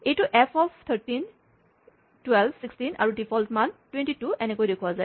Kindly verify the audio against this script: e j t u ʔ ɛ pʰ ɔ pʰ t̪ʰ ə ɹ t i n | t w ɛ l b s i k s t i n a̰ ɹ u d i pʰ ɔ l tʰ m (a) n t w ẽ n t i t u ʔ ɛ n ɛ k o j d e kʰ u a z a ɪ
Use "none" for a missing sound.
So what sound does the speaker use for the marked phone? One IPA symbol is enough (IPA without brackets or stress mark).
a